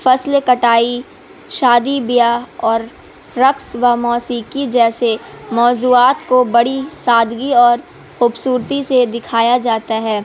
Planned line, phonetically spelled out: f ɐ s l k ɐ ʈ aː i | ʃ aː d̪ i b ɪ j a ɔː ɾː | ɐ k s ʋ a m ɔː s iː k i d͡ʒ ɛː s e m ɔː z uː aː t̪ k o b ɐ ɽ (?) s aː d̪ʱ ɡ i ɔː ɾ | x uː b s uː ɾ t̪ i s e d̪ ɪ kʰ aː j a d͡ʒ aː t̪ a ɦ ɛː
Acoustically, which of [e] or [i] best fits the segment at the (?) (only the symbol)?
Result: i